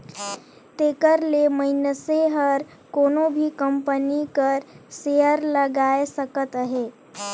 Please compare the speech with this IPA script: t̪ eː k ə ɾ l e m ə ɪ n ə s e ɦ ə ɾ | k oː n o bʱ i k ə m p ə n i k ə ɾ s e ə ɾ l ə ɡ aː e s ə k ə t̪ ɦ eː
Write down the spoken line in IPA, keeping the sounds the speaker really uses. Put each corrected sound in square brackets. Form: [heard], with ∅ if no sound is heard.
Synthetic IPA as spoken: t̪ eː k ə ɾ l e m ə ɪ n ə s e ɦ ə ɾ | k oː n o bʱ i k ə m p ə n i k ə ɾ s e ə ɾ l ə ɡ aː e s ə k ə t̪ ɦ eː